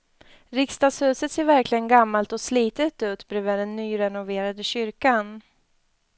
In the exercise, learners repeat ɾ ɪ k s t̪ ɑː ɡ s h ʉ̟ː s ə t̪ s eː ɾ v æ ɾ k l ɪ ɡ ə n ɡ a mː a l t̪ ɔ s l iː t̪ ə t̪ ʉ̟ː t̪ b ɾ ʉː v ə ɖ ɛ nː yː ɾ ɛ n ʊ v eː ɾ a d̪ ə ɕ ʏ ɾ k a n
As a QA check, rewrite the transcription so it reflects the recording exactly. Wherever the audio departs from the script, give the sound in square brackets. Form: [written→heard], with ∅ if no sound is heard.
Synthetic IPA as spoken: ɾ ɪ k s t̪ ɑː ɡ s h ʉ̟ː s ə t̪ s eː ɾ v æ ɾ k l ɪ ɡ ə n ɡ a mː a l t̪ ɔ s l iː t̪ ə t̪ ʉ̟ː t̪ b ɾ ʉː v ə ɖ ɛ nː yː ɾ ɛ n ʊ v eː ɾ a d̪ ə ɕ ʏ ɾ k a n

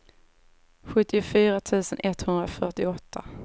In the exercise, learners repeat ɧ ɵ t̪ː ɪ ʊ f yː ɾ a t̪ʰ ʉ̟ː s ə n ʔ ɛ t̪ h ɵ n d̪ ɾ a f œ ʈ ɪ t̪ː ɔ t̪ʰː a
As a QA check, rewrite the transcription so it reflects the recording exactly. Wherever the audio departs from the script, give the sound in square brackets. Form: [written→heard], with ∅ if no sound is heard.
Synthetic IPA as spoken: ɧ ɵ t̪ː ɪ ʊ f yː ɾ a t̪ʰ ʉ̟ː s ə n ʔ ɛ t̪ h ɵ n d̪ ɾ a f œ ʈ ɪ [t̪ː→∅] ɔ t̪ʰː a

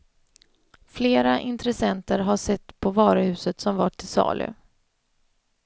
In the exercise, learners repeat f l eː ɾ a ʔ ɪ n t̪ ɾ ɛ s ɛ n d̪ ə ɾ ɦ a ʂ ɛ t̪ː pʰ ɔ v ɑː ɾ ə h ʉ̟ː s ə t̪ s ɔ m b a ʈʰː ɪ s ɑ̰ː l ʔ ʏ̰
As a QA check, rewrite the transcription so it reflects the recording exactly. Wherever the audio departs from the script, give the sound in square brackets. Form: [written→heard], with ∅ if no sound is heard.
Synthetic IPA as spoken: f l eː ɾ a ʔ ɪ n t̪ ɾ ɛ s ɛ n [d̪→t̪] ə ɾ ɦ a ʂ ɛ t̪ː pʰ ɔ v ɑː ɾ ə h ʉ̟ː s ə t̪ s ɔ m [b→v] a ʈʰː ɪ s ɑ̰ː l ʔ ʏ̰

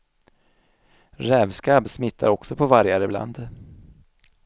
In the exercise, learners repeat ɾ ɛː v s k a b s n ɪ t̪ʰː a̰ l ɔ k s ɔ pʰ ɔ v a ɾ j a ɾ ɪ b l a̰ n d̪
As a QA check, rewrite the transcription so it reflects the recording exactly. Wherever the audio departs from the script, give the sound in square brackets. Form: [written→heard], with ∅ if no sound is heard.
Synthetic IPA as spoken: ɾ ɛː v s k a b s [n→m] ɪ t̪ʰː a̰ [l→ɾ] ɔ k s ɔ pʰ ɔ v a ɾ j a ɾ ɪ b l a̰ n d̪

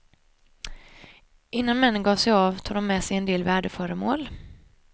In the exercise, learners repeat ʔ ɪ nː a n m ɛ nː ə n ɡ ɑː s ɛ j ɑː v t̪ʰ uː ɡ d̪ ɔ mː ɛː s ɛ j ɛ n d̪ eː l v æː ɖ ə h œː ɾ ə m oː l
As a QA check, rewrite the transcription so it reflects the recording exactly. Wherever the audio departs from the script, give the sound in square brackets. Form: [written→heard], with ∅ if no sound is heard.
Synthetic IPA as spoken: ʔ ɪ nː a n m ɛ nː ə n ɡ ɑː s ɛ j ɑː v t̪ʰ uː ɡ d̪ ɔ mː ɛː s ɛ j ɛ n d̪ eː l v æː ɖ ə [h→f] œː ɾ ə m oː l

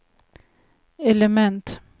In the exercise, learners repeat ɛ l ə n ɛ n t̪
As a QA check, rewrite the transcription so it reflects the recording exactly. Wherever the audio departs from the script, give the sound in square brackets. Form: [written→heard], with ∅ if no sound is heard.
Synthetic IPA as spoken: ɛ l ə [n→m] ɛ n t̪

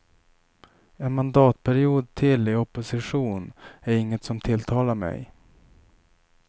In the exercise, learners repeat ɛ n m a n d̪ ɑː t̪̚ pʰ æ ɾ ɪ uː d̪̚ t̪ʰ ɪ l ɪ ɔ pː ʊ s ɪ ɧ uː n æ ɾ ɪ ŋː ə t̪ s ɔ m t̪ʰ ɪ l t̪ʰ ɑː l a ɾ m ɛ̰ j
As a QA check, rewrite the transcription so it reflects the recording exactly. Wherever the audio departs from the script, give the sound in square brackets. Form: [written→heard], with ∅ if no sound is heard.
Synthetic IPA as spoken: ɛ n m a n d̪ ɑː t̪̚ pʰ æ ɾ ɪ uː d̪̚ t̪ʰ ɪ l ɪ ɔ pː ʊ s ɪ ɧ uː n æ ɾ ɪ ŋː ə t̪ s ɔ m t̪ʰ ɪ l t̪ʰ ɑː l a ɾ m ɛ̰ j

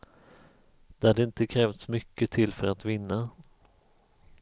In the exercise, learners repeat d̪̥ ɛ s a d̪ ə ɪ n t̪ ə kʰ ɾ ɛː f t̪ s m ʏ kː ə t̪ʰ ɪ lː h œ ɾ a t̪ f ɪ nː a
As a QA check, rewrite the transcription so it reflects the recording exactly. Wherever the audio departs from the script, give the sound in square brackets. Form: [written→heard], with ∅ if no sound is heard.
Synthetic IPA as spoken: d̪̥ ɛ [s→h] a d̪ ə ɪ n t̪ ə kʰ ɾ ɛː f t̪ s m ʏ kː ə t̪ʰ ɪ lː [h→f] œ ɾ a t̪ [f→v] ɪ nː a

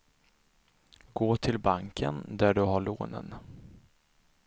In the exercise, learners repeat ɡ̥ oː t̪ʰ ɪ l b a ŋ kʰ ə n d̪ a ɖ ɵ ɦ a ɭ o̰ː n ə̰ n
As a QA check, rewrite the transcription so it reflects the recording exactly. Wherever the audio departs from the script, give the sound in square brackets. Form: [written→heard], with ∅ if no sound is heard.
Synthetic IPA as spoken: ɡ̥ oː t̪ʰ ɪ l b a ŋ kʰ ə n d̪ [a→æ] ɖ ɵ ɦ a ɭ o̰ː n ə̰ n

